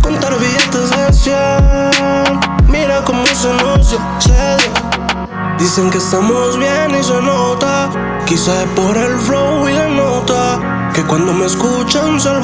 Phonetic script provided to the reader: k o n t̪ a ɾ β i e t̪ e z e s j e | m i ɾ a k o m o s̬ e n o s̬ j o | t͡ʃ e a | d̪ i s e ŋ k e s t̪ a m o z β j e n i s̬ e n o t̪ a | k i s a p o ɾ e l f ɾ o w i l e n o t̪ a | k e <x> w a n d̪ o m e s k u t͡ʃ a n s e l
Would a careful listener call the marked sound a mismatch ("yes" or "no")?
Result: yes